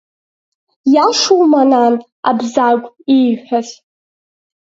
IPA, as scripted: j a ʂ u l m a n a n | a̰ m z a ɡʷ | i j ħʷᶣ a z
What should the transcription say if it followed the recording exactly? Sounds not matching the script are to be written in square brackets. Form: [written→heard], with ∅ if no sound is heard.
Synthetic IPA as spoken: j a ʂ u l m a n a n | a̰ [m→b] z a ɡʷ | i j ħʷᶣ a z